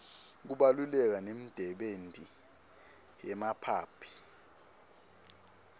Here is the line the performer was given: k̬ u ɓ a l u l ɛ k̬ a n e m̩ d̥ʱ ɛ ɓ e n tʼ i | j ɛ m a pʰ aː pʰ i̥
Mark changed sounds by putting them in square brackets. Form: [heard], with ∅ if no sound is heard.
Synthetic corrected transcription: k̬ u ɓ a l u l ɛ k̬ a n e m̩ d̥ʱ ɛ ɓ e n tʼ i | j ɛ m a pʰ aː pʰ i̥